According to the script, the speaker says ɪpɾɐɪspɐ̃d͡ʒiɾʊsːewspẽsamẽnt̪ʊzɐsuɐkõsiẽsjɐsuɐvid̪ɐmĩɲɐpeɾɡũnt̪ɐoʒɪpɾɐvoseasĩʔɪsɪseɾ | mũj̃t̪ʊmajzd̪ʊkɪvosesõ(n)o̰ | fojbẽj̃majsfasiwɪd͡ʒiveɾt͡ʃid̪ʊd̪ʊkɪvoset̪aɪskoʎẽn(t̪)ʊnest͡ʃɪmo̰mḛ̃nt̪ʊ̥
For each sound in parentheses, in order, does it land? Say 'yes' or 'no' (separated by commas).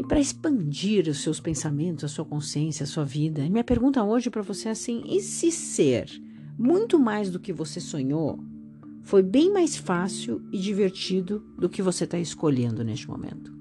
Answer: no, no